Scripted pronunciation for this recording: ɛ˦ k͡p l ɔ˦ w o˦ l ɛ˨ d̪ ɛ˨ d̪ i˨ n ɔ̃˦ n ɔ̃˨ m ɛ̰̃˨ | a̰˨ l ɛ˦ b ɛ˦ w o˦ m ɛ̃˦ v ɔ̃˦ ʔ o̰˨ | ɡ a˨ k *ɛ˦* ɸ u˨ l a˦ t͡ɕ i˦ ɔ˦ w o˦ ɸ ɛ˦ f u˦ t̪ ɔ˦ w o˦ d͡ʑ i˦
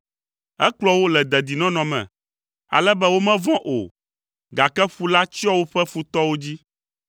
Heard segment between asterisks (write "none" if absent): ɛ˦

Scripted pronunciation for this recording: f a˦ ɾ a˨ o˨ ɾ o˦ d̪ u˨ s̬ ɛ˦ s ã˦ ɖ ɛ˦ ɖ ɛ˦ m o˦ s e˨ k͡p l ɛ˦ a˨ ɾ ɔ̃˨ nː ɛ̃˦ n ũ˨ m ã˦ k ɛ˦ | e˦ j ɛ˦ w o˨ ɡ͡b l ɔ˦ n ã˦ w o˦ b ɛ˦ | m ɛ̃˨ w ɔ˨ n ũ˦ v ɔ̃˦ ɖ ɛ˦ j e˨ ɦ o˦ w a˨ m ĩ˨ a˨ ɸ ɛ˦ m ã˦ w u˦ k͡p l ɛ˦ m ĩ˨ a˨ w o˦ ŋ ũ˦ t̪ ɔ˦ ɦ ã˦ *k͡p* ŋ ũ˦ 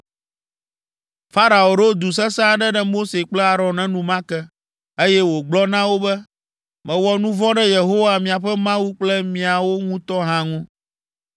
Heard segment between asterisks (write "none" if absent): none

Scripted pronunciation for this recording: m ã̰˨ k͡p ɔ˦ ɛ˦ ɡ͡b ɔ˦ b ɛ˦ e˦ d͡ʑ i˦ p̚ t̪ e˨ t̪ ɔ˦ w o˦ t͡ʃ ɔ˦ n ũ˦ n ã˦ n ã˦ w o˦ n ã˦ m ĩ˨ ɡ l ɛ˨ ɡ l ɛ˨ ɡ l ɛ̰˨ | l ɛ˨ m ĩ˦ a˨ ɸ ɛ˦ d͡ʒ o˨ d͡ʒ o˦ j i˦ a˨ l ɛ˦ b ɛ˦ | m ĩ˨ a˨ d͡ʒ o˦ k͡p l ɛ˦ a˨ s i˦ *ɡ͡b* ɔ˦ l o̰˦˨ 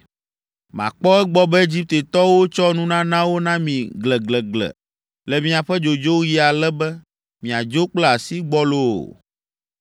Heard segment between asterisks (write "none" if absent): ɡ͡b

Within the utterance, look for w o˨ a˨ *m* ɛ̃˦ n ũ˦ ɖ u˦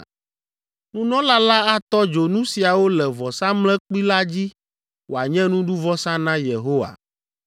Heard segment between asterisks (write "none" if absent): ɲ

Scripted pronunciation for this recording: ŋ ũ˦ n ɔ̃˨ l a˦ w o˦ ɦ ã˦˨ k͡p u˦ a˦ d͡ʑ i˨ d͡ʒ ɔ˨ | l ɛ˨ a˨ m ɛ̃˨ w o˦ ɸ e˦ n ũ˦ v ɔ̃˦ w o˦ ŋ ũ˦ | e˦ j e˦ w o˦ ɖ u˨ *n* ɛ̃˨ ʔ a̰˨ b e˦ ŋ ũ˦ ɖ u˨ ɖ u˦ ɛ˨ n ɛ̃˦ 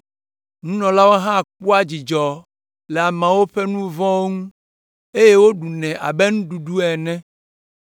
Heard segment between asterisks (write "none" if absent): n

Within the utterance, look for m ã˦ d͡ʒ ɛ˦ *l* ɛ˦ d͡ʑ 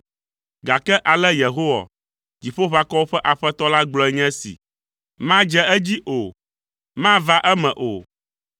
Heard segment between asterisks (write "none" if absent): none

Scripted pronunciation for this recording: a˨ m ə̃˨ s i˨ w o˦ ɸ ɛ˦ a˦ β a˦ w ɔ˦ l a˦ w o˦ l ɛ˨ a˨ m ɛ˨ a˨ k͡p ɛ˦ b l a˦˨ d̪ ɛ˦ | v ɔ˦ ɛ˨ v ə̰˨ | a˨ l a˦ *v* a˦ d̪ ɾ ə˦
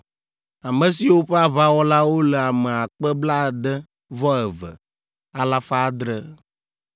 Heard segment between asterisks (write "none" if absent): f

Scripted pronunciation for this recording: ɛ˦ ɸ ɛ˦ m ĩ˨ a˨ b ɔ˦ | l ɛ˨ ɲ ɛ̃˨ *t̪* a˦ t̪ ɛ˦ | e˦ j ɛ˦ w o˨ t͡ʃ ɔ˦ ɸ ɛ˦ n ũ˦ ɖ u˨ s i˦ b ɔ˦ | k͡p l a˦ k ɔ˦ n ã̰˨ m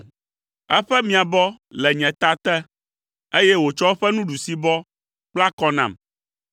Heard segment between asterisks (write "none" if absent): t̪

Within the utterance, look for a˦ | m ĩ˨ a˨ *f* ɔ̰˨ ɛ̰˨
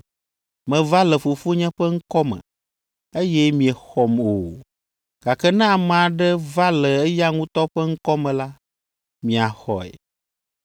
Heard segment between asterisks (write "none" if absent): x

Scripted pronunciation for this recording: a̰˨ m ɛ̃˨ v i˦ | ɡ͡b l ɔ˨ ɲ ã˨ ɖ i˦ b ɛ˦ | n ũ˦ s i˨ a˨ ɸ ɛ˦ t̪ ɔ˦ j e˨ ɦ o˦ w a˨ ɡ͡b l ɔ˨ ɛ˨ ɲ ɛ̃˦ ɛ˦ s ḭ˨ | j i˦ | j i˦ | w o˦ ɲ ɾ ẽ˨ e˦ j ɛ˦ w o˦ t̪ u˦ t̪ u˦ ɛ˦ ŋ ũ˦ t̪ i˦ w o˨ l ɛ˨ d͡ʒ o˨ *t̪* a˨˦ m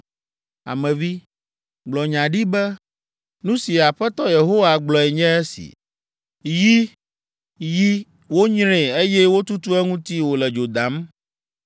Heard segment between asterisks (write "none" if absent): d̪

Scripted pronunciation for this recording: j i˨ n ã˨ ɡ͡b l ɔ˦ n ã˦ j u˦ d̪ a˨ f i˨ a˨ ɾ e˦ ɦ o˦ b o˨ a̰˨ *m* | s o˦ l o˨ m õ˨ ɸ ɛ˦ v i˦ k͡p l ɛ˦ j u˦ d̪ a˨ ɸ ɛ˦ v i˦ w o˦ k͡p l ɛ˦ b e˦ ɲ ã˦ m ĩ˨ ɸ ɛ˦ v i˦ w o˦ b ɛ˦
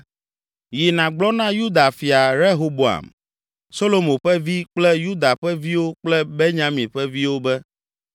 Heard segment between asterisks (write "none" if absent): m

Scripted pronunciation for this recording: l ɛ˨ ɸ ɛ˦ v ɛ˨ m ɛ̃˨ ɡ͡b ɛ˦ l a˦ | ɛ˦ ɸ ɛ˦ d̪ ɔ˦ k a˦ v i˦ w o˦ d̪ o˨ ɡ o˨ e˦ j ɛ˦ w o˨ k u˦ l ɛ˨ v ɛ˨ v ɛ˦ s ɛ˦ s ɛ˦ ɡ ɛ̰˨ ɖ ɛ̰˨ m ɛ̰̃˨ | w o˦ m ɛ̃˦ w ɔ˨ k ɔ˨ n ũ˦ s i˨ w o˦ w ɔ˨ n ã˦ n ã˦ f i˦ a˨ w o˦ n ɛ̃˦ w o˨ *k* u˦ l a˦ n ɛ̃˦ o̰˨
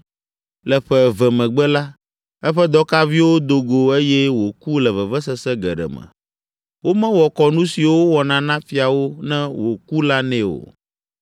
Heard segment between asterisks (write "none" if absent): k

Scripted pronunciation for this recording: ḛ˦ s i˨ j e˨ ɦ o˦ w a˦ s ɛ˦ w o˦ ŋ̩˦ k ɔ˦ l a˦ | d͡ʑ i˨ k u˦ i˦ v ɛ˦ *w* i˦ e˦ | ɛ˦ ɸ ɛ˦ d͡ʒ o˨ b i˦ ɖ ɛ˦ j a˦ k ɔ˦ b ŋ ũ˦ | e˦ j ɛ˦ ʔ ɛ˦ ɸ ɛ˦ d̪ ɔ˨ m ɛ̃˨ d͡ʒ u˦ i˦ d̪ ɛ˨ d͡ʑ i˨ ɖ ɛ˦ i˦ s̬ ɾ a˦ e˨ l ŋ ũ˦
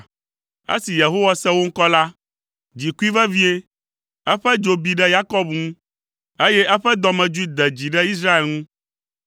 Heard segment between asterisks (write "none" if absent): v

